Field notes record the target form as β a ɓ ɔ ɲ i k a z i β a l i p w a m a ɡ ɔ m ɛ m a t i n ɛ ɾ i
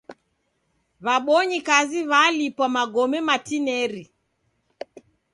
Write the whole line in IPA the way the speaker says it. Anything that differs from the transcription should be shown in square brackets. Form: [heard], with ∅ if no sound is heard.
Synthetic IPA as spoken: β a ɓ ɔ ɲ i k a z i β a l i p w a m a ɡ ɔ m ɛ m a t i n ɛ ɾ i

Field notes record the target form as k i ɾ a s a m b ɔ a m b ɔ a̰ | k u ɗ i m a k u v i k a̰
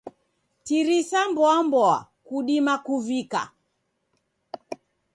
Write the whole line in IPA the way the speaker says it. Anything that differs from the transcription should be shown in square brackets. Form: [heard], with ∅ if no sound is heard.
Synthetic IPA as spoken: [t] i ɾ [i] s a m b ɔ a m b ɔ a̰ | k u ɗ i m a k u v i k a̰

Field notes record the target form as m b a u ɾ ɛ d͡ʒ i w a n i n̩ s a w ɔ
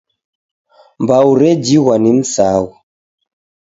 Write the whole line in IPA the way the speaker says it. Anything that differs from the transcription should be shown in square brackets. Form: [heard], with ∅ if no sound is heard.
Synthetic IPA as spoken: m b a u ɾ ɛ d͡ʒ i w a n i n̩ s a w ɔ

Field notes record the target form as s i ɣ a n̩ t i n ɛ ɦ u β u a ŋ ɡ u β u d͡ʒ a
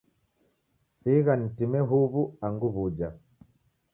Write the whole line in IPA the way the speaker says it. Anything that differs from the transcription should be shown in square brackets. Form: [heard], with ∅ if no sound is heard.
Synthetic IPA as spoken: s i ɣ a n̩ t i [m] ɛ ɦ u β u a ŋ ɡ u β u d͡ʒ a

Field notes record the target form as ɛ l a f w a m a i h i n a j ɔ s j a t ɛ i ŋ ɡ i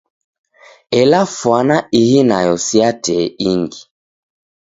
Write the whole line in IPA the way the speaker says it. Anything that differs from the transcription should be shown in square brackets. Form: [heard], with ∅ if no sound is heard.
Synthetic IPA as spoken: ɛ l a f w a [n] a i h i n a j ɔ s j a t ɛ i ŋ ɡ i

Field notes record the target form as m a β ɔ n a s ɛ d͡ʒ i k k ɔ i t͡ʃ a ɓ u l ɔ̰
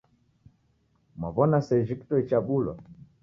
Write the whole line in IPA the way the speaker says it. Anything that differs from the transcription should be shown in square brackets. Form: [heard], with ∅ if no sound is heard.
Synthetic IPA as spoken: m a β ɔ n a s ɛ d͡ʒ i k [t] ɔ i t͡ʃ a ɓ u l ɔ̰

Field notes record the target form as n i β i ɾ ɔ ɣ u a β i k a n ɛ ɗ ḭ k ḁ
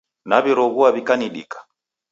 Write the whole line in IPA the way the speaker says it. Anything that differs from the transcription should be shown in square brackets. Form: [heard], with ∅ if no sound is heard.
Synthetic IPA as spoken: n [a] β i ɾ ɔ ɣ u a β i k a n [i] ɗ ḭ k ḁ

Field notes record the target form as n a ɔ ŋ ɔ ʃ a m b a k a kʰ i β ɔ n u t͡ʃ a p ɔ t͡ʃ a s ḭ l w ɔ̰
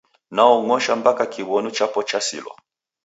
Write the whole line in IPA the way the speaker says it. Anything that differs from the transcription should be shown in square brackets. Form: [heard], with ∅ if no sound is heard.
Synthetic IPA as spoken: n a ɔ ŋ ɔ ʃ a m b a k a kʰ i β ɔ n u t͡ʃ a p ɔ t͡ʃ a s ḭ l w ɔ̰

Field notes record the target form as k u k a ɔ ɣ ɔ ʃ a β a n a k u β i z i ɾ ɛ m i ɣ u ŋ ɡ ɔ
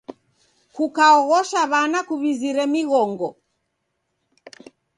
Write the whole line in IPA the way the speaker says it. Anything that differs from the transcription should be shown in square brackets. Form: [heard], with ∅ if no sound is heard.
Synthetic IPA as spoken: k u k a ɔ ɣ ɔ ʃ a β a n a k u β i z i ɾ ɛ m i ɣ [ɔ] ŋ ɡ ɔ

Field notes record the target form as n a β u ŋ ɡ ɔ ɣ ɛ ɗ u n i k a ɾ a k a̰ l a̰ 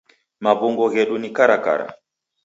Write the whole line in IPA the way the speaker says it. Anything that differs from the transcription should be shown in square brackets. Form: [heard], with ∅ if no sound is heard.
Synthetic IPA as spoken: [m] a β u ŋ ɡ ɔ ɣ ɛ ɗ u n i k a ɾ a k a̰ [ɾ] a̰

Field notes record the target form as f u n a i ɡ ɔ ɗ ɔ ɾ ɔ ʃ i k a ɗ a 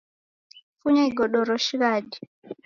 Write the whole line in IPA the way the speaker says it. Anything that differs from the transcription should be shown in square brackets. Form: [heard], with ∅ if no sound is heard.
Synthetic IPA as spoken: f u [ɲ] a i ɡ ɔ ɗ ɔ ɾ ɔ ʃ i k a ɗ [i]

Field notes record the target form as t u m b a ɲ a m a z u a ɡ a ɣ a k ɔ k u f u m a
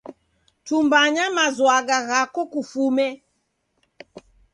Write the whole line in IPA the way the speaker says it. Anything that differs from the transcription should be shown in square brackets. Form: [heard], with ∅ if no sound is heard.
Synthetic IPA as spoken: t u m b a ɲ a m a z [w] a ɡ a ɣ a k ɔ k u f u m [ɛ]

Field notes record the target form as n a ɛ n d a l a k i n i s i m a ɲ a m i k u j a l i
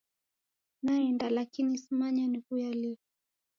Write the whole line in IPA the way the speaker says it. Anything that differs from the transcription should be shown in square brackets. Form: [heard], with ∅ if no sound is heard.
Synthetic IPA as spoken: n a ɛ n d a l a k i n i s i m a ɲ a [n] i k u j a l i

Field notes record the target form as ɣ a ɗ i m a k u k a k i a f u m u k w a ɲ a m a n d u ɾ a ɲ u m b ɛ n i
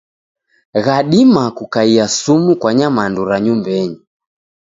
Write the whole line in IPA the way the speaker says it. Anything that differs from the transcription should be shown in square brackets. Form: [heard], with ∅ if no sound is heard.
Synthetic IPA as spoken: ɣ a ɗ i m a k u k a [∅] i a [s] u m u k w a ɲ a m a n d u ɾ a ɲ u m b ɛ [ɲ] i

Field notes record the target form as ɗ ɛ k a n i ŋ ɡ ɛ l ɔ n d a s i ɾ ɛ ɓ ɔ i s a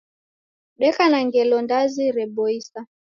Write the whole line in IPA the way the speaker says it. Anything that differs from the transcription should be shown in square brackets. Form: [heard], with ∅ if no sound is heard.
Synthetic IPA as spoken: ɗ ɛ k a n [a] ŋ ɡ ɛ l ɔ n d a [z] i ɾ ɛ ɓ ɔ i s a

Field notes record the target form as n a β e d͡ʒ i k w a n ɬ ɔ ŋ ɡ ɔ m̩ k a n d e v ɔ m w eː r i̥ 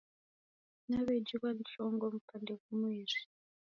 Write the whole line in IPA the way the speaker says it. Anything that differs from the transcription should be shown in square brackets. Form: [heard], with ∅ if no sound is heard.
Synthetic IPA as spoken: n a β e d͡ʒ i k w a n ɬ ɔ ŋ ɡ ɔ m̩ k a n d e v [u] m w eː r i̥

